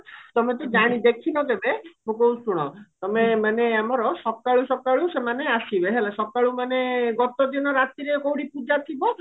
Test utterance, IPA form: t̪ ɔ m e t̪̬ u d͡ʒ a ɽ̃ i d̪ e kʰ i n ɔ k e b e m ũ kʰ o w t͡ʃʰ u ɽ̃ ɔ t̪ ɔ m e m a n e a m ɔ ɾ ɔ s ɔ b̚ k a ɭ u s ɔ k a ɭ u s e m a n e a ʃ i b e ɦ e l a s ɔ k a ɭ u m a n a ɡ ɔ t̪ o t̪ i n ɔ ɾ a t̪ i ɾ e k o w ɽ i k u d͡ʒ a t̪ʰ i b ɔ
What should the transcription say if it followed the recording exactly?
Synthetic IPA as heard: t̪ ɔ m e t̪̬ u d͡ʒ a ɽ̃ i d̪ e kʰ i n ɔ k e b e m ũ k o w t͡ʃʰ u ɽ̃ ɔ t̪ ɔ m e m a n e a m ɔ ɾ ɔ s ɔ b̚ k a ɭ u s ɔ k a ɭ u s e m a n e a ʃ i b e ɦ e l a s ɔ k a ɭ u m a n e ɡ ɔ t̪ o d̪ i n ɔ ɾ a t̪ i ɾ e k o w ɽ i p u d͡ʒ a t̪ʰ i b ɔ